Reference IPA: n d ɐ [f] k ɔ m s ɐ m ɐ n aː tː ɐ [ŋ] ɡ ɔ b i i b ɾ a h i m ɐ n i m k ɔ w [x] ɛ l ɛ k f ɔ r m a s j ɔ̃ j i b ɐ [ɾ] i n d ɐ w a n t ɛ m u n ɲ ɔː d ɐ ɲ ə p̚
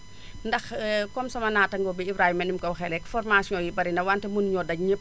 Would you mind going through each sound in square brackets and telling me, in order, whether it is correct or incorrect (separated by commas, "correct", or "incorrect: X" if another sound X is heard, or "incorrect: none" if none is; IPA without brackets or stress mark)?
incorrect: x, correct, correct, correct